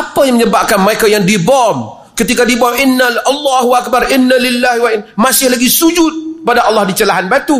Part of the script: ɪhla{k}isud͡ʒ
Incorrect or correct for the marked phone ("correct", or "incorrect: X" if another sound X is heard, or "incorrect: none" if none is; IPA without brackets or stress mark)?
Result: incorrect: ɡ